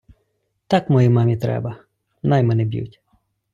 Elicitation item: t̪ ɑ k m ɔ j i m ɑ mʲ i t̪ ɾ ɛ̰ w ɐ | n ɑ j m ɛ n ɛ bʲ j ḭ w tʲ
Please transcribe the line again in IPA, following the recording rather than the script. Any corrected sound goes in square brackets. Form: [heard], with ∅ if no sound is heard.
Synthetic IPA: t̪ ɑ k m ɔ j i m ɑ mʲ i t̪ ɾ ɛ̰ [b] ɐ | n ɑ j m ɛ n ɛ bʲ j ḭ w tʲ